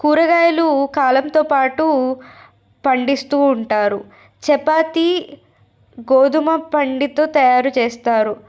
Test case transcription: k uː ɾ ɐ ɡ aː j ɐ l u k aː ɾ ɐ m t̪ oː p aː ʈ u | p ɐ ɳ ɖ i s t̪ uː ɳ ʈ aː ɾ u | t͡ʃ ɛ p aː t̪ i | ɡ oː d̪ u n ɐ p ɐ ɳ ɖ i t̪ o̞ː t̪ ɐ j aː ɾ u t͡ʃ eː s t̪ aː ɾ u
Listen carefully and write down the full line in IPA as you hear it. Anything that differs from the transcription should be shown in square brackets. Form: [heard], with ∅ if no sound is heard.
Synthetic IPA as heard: k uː ɾ ɐ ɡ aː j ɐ l u k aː [l] ɐ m t̪ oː p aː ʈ u | p ɐ ɳ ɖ i s t̪ uː ɳ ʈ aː ɾ u | t͡ʃ ɛ p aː t̪ i | ɡ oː d̪ u [m] ɐ p ɐ ɳ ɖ i t̪ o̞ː t̪ ɐ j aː ɾ u t͡ʃ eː s t̪ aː ɾ u